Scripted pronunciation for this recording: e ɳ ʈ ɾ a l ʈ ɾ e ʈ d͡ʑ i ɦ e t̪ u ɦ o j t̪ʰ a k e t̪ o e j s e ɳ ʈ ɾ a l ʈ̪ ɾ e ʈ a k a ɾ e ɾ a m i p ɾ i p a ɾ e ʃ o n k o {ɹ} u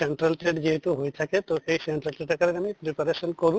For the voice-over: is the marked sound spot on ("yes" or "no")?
no